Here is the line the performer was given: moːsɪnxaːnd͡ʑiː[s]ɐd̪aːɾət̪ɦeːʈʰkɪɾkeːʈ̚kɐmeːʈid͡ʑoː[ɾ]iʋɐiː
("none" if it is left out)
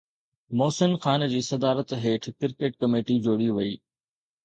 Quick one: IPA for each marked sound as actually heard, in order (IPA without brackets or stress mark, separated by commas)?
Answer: s, ɽ